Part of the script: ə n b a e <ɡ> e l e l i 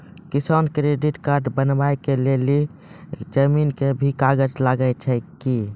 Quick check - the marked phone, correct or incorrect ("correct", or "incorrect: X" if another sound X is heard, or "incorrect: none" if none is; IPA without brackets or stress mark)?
incorrect: k